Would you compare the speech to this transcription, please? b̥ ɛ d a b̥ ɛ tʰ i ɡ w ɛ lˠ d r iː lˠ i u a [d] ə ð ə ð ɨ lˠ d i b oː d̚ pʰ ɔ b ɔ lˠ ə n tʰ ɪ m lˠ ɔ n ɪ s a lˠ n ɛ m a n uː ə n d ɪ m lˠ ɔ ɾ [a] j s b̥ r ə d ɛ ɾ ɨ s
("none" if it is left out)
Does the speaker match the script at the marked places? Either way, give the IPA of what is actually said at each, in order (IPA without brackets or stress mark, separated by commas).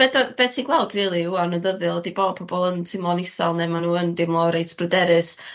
n, e